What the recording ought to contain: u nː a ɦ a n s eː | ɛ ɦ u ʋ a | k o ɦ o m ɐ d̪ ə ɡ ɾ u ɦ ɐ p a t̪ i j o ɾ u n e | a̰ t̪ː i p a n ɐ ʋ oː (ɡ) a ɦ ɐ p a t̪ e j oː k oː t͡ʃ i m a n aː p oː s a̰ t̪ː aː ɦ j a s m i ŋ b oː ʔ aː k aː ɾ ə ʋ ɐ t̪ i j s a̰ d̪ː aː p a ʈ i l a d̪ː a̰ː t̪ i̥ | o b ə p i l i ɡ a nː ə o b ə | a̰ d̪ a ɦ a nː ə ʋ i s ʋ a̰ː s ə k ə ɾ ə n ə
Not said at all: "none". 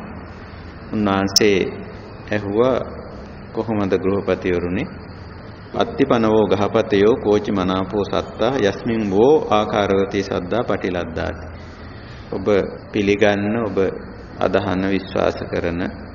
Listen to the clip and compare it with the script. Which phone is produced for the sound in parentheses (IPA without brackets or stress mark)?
ɡ